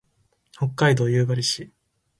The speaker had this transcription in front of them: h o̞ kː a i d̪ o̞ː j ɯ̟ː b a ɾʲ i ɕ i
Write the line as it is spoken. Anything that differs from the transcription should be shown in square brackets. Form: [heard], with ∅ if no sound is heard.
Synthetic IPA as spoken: h o̞ kː a i d̪ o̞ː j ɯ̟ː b a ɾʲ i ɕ i